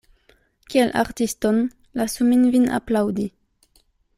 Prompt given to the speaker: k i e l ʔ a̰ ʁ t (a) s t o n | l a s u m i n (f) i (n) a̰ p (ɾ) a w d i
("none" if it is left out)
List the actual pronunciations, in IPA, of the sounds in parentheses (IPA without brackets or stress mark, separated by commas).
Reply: i, v, n, l